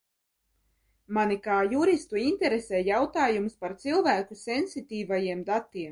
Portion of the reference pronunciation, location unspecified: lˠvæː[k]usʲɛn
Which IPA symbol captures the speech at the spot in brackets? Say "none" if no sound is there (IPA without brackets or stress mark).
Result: k